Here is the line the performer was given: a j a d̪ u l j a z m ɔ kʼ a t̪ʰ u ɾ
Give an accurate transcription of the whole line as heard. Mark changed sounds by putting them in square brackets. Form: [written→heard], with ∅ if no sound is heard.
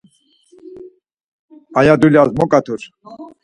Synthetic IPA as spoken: a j a d̪ u l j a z m ɔ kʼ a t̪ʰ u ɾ